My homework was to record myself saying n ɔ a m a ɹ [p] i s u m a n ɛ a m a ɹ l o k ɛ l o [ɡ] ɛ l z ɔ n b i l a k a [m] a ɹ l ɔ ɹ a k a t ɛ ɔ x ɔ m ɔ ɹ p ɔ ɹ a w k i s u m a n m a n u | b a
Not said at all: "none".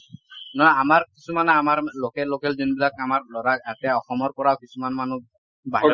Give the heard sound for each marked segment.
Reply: k, k, m

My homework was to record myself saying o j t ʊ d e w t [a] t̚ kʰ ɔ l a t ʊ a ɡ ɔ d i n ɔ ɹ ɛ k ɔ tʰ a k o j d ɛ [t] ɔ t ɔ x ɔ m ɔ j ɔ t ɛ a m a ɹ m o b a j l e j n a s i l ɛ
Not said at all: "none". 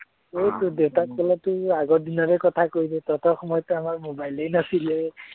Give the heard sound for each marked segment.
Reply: a, t

